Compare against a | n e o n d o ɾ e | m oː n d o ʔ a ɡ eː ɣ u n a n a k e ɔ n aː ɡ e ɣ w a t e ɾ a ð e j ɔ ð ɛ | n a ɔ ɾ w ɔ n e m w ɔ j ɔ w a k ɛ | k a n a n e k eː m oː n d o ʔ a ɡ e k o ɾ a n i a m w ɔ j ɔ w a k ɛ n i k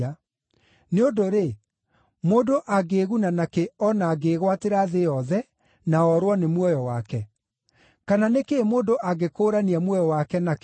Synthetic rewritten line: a | n e o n d o ɾ e | m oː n d o ʔ a ɡ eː ɣ u n a n a k e ɔ n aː ɡ e ɣ w a t e ɾ a ð e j ɔ ð ɛ | n a ɔ ɾ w ɔ n e m w ɔ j ɔ w a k ɛ | k a n a n e k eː m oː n d o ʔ a ɡ e k o ɾ a n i a m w ɔ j ɔ w a k ɛ n a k